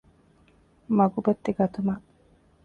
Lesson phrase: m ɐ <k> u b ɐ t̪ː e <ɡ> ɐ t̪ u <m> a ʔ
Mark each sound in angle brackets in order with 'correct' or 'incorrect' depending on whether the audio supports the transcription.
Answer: incorrect: ɡ, correct, correct

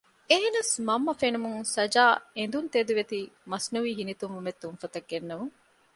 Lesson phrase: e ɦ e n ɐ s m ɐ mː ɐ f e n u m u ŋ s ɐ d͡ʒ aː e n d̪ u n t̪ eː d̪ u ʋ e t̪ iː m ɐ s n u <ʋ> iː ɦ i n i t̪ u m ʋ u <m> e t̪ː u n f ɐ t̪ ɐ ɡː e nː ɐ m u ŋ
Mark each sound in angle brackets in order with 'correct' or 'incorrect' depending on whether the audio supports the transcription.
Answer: correct, correct

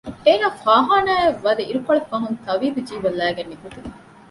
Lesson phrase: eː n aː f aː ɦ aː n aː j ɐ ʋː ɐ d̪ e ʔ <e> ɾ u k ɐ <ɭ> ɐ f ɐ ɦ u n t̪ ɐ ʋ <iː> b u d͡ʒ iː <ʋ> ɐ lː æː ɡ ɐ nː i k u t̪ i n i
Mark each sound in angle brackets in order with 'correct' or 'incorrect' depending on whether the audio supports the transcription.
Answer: incorrect: i, correct, correct, correct

